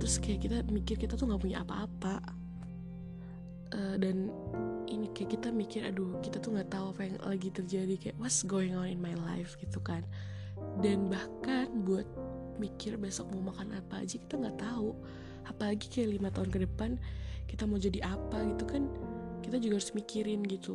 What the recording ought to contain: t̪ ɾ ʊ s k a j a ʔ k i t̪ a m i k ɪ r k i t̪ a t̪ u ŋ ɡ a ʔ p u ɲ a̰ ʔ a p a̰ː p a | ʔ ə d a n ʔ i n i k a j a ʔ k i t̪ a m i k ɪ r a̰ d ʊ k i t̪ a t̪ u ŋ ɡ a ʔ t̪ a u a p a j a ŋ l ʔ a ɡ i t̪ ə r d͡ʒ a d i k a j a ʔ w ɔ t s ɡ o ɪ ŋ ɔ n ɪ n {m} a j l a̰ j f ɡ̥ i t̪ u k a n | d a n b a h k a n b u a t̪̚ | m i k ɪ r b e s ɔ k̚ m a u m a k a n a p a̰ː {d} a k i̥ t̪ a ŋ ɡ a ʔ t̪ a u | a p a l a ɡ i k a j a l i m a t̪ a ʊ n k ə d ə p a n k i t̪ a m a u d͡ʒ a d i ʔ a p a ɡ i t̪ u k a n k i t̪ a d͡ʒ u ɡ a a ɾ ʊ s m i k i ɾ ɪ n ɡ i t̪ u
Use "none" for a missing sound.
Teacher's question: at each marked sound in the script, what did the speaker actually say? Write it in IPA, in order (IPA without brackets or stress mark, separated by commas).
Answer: m, d͡ʒ